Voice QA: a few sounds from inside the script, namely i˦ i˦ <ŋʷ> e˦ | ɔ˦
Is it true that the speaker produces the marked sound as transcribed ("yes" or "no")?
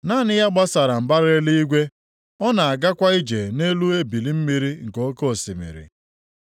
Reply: no